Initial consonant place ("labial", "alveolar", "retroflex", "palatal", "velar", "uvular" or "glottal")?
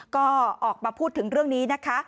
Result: velar